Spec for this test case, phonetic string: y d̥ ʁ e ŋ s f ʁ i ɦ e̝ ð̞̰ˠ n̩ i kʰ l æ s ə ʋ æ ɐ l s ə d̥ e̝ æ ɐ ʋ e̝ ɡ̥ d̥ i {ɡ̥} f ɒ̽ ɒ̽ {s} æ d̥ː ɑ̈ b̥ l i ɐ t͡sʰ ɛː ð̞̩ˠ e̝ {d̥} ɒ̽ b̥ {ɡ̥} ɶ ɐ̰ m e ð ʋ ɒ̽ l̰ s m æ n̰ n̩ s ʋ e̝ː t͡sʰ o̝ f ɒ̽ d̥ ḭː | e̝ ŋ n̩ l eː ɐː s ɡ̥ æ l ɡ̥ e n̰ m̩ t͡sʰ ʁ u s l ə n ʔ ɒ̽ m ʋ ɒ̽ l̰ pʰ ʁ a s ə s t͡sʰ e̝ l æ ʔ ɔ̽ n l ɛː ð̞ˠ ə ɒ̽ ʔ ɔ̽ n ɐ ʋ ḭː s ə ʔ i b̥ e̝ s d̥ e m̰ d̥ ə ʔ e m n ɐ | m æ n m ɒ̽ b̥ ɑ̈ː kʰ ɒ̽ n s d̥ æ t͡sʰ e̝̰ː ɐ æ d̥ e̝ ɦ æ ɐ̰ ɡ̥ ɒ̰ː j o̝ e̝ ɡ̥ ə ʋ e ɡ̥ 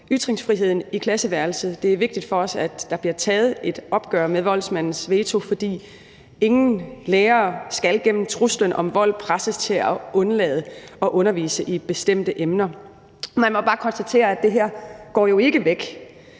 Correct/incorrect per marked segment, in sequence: incorrect, correct, correct, correct

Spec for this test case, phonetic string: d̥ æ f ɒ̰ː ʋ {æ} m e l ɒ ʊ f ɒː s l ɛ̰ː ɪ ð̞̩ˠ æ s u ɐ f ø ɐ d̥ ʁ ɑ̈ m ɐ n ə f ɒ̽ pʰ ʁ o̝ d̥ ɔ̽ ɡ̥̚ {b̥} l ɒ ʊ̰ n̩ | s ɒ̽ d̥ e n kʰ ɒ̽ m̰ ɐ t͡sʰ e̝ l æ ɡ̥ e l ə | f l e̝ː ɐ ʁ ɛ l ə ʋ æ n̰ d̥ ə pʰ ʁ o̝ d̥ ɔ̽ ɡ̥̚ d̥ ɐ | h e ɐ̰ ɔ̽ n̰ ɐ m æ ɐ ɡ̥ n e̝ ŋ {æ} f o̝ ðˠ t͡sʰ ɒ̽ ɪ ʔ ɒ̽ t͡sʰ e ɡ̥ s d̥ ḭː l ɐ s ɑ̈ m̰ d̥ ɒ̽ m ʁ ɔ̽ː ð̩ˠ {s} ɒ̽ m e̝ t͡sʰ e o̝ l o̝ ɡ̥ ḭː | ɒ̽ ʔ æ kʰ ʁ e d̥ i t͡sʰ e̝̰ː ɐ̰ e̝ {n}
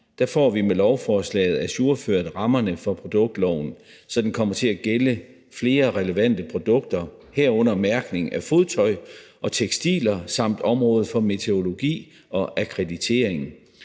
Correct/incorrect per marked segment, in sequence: incorrect, incorrect, correct, incorrect, incorrect

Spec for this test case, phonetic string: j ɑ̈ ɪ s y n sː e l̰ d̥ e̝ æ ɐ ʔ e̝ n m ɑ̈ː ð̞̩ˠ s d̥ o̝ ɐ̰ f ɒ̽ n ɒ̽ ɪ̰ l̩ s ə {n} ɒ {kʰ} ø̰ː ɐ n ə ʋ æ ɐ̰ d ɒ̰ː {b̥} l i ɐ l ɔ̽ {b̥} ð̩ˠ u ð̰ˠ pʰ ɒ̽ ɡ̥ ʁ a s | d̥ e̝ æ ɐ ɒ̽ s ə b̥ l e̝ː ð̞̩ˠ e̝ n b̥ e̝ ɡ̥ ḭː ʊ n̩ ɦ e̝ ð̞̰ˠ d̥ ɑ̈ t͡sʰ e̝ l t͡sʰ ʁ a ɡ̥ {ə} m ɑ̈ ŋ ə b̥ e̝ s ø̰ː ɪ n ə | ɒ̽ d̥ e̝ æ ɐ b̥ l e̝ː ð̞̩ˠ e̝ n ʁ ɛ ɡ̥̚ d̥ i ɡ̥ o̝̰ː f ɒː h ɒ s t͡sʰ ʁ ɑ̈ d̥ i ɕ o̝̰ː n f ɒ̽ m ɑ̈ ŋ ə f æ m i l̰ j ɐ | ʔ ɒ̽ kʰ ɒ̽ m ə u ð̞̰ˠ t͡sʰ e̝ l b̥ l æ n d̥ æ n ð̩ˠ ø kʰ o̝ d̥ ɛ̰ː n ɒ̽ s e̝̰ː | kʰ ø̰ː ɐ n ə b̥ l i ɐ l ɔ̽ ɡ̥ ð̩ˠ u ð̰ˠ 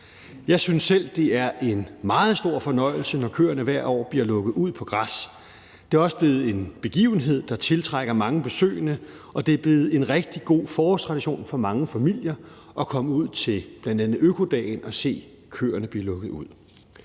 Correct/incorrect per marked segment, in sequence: correct, correct, correct, incorrect, incorrect

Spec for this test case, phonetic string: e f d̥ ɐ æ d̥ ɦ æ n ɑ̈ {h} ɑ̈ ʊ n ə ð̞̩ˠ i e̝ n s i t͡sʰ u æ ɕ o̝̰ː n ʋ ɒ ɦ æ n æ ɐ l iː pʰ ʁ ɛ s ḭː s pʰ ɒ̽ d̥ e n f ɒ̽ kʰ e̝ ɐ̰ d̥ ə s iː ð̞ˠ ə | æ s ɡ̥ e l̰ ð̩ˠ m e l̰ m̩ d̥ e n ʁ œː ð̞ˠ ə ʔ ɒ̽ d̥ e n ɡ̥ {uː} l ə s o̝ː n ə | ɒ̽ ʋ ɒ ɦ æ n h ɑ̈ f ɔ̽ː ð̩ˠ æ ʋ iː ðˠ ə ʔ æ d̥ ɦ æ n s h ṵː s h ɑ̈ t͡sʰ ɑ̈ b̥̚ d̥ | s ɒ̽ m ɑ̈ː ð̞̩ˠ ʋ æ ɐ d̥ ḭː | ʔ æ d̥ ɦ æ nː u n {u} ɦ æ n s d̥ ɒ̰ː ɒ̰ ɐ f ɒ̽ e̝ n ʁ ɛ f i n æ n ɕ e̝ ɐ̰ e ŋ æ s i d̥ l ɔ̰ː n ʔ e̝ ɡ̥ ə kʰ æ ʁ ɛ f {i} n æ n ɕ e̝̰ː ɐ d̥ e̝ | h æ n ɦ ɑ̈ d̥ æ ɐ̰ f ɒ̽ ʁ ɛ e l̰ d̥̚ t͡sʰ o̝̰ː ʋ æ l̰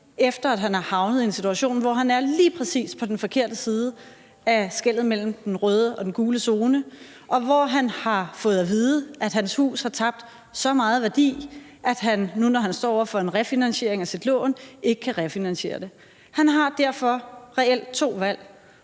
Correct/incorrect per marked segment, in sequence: correct, correct, incorrect, correct

